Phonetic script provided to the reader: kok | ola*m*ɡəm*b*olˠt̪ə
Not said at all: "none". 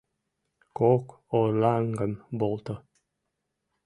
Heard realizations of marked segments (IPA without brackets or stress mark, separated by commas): ŋ, b